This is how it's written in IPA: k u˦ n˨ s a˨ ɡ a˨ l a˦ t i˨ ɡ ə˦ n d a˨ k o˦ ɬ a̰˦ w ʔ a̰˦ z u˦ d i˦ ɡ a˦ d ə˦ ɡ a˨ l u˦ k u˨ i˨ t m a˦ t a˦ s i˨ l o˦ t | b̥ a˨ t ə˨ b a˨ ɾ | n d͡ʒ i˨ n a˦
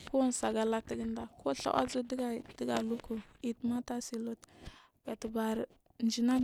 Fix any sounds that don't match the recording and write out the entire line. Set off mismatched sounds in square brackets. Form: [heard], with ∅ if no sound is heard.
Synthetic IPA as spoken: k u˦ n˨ s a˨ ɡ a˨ l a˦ t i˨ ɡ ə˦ n d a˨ k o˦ ɬ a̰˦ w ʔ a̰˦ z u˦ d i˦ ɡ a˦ d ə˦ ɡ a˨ l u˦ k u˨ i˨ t m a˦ t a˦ s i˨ l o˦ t | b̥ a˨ t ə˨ b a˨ ɾ | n d͡ʒ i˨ n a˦

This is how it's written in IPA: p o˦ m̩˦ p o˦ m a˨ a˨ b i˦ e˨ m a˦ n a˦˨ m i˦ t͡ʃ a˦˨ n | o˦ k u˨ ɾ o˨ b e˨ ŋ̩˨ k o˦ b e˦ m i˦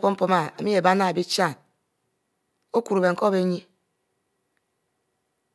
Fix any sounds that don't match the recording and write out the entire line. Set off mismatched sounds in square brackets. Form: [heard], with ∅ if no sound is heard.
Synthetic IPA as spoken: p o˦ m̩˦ p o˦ m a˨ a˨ [m] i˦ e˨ [b] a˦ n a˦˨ [b] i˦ t͡ʃ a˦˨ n | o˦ k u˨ ɾ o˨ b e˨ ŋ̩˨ k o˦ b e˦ [ɲ] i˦

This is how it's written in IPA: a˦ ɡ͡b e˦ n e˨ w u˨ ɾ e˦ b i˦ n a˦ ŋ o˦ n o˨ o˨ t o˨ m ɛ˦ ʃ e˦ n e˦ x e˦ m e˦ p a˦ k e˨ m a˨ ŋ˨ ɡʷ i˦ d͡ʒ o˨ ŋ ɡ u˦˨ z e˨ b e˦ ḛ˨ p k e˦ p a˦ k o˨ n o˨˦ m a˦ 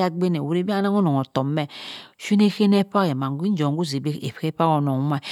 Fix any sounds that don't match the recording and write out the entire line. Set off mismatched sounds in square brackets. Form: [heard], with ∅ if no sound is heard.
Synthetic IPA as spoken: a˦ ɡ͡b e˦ n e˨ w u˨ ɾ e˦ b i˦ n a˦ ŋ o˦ n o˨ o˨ t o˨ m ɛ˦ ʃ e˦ n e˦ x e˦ [n] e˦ p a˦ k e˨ m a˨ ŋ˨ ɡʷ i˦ d͡ʒ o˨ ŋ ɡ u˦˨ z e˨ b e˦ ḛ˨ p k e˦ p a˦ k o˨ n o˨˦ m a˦

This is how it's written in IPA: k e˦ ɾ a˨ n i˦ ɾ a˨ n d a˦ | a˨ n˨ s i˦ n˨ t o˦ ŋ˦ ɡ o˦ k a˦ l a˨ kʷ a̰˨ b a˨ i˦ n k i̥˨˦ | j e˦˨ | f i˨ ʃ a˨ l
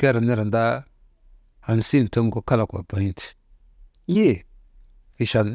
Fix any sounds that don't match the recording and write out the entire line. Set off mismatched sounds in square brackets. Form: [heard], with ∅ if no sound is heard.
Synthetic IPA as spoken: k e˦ ɾ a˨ n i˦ ɾ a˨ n d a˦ | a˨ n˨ s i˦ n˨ t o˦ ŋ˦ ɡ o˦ k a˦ l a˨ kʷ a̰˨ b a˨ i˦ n [t] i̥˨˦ | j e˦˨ | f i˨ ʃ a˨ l

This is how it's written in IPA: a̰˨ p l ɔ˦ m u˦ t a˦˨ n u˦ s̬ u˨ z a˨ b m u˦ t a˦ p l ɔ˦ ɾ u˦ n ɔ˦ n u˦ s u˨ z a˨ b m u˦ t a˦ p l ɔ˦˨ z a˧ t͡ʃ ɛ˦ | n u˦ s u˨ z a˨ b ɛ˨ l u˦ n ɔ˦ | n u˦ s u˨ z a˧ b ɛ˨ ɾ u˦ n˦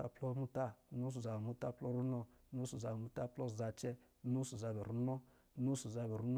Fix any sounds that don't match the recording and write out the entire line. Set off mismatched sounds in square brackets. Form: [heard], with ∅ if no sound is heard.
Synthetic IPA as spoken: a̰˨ p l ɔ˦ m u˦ t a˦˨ n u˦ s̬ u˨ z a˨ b m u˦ t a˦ p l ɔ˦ ɾ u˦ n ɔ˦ n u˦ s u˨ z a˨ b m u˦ t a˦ p l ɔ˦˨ z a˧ t͡ʃ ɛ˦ | n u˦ s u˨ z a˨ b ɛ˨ [ɾ] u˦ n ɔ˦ | n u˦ s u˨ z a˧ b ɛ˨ ɾ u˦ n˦

